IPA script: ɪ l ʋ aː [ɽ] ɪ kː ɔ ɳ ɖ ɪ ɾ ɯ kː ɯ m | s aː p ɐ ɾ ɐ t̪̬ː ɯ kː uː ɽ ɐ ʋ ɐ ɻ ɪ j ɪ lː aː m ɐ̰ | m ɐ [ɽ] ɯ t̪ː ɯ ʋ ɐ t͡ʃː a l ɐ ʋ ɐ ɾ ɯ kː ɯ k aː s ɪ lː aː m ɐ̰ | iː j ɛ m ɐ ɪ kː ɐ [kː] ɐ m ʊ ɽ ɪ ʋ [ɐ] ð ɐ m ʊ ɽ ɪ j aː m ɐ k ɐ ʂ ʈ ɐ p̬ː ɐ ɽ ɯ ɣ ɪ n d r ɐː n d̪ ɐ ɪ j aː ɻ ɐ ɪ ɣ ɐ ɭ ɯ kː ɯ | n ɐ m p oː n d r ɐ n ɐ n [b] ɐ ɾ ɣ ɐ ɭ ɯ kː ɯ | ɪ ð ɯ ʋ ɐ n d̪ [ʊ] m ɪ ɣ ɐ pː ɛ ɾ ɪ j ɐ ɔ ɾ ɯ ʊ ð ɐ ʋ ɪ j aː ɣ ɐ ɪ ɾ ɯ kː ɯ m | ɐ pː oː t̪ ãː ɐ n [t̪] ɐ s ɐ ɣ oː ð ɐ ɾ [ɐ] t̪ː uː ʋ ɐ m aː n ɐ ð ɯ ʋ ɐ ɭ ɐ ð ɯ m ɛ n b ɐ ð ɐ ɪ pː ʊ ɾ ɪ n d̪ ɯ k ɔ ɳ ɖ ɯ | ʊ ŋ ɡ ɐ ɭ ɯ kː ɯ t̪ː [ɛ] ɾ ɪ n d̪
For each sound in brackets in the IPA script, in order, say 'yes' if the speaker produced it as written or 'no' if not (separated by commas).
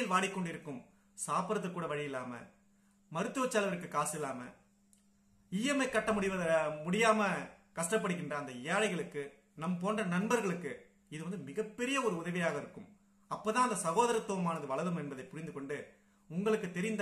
yes, no, no, yes, yes, no, no, yes, yes